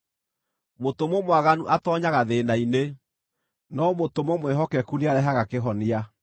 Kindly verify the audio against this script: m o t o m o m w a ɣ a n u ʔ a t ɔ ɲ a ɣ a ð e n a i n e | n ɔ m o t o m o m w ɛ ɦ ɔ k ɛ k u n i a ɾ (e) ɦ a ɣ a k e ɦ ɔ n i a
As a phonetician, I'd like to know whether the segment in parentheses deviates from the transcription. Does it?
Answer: yes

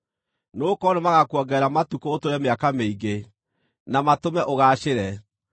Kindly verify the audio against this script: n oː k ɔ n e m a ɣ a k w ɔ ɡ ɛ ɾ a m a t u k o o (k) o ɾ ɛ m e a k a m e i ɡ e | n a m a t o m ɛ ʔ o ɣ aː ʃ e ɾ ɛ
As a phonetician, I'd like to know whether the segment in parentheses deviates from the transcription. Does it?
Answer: yes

